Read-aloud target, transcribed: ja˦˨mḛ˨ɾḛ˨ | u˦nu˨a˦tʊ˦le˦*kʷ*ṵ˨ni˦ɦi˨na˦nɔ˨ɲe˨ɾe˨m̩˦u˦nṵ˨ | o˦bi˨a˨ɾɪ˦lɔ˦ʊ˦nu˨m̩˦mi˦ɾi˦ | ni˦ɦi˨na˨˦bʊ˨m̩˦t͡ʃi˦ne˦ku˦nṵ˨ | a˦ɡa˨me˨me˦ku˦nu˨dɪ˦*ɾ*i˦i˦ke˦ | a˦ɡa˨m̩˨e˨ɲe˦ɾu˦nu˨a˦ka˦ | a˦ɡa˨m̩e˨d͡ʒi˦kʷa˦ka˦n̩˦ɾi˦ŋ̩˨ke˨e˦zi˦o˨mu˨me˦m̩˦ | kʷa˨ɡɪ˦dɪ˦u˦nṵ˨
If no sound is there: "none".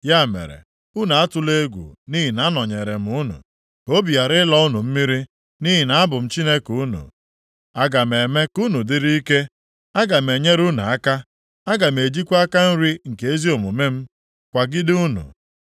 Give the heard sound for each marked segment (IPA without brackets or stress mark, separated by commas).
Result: ɡʷ, ɾ